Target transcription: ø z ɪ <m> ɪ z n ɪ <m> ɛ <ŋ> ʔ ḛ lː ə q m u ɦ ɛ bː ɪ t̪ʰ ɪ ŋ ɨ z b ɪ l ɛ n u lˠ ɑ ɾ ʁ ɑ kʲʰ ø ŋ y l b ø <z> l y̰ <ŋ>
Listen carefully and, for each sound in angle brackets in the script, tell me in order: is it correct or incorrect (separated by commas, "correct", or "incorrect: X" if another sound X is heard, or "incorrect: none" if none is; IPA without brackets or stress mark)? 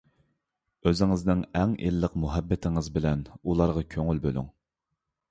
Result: incorrect: ŋ, incorrect: ŋ, correct, incorrect: none, correct